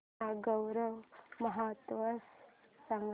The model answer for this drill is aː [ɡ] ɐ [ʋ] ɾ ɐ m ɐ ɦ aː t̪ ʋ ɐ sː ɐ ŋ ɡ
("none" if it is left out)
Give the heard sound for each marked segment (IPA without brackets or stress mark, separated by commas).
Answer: ɡ, w